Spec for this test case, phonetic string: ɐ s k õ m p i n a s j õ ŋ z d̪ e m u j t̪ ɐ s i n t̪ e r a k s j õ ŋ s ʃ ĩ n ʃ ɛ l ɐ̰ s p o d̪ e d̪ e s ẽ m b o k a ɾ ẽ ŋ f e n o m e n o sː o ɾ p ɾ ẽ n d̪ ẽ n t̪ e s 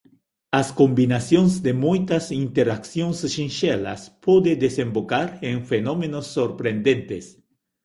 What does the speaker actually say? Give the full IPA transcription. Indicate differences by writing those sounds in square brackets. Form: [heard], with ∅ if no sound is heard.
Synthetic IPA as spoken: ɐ s k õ m [b] i n a s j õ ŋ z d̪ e m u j t̪ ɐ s i n t̪ e [ɾ] a k s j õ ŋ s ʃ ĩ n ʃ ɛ l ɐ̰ s p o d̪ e d̪ e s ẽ m b o k a ɾ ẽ ŋ f e n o m e n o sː o ɾ p ɾ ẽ n d̪ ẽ n t̪ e s